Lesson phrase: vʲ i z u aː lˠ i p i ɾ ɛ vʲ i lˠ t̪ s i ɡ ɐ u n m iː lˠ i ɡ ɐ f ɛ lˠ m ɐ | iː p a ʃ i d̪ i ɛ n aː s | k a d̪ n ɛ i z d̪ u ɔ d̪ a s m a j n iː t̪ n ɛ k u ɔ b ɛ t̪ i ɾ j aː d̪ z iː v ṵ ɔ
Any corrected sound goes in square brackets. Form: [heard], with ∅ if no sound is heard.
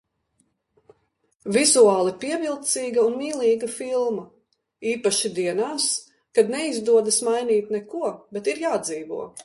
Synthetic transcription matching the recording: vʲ i z u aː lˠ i p i [∅] ɛ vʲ i lˠ t̪ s [iː] ɡ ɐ u n m iː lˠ [iː] ɡ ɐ f [i] lˠ m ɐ | iː p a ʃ i d̪ i ɛ n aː s | k a d̪ n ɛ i z d̪ u ɔ d̪ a s m a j n iː t̪ n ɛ k u ɔ b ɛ t̪ i ɾ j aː d̪ z iː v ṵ ɔ